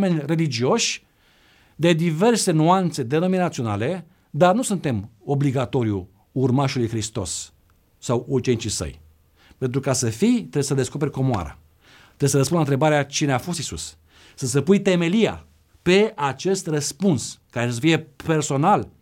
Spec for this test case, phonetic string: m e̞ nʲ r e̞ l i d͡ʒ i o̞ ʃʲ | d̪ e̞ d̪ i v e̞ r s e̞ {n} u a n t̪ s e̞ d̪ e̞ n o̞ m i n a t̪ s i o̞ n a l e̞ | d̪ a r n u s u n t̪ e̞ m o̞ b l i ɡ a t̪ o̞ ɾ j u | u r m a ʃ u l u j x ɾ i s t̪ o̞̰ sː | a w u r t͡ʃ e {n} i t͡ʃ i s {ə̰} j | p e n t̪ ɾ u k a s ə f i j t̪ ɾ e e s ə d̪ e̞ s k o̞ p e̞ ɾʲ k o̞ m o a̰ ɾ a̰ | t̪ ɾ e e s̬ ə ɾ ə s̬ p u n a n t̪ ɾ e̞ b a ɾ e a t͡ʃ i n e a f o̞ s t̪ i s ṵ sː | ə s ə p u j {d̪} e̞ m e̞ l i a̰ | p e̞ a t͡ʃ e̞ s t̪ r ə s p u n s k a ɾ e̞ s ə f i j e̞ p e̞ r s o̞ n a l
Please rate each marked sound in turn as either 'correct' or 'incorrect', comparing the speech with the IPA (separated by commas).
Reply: correct, correct, correct, incorrect